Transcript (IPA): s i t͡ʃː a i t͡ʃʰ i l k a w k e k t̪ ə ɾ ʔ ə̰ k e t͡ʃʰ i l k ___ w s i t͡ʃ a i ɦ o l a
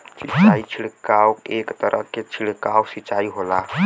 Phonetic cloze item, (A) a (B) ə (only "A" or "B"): A